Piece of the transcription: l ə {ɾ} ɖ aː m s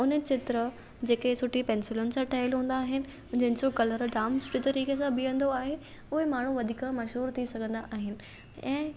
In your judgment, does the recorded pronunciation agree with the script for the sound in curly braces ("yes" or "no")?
yes